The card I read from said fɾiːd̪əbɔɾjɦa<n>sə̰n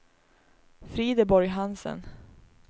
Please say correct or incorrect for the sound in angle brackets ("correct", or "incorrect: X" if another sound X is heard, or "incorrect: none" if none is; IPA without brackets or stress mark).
correct